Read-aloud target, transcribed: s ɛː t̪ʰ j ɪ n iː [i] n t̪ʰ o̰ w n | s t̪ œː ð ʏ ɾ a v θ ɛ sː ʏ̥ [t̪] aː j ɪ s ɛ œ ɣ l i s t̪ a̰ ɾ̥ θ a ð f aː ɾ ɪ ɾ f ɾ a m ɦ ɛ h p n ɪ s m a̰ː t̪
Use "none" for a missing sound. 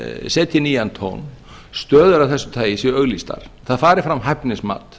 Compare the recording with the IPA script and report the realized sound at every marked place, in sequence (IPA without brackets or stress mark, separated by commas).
a, t̪ʰ